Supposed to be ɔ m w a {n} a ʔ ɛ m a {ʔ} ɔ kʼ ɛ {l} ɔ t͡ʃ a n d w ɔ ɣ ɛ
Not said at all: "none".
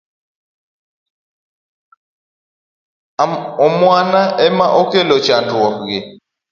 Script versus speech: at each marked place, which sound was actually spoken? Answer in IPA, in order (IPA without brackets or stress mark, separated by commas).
n, ʔ, l